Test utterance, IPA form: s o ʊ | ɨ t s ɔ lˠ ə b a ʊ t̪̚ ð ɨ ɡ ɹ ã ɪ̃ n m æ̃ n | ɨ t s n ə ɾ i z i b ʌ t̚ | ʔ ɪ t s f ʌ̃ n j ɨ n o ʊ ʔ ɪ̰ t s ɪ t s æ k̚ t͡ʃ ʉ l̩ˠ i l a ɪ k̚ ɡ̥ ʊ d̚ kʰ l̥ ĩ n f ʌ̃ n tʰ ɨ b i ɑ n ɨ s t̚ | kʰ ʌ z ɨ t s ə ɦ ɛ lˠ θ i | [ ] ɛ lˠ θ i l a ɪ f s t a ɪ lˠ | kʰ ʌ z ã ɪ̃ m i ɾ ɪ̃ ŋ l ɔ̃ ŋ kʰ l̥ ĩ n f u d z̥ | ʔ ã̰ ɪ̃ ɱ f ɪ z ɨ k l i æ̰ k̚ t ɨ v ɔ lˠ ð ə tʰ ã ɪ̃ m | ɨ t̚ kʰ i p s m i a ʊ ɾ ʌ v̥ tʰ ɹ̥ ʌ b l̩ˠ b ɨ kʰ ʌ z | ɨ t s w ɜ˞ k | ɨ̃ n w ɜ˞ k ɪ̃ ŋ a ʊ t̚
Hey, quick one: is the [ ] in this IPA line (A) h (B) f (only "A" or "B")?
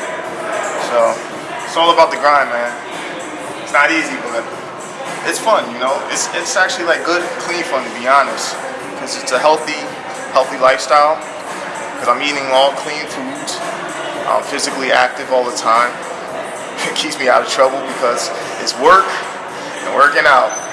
A